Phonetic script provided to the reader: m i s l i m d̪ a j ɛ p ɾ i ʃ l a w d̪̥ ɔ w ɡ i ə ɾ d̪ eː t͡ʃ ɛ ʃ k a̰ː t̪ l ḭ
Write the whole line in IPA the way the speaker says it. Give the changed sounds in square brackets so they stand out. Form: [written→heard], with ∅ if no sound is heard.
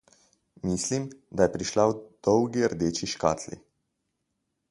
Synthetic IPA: m i s l i m d̪ a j ɛ p ɾ i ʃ l a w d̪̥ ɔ w ɡ i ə ɾ d̪ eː t͡ʃ [ɛ→i] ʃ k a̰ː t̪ l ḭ